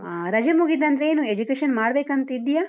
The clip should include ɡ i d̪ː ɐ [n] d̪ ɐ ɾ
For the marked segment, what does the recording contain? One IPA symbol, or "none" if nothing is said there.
n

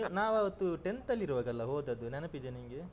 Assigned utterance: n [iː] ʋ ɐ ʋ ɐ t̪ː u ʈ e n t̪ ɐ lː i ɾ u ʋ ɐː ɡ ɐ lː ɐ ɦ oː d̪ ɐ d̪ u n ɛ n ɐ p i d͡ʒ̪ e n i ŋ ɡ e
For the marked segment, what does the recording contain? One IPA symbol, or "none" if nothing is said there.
aː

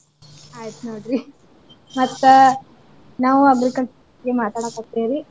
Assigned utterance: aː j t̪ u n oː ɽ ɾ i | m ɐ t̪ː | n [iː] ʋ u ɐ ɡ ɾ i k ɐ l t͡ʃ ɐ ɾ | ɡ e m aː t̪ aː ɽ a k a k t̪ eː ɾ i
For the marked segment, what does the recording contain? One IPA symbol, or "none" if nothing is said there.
aː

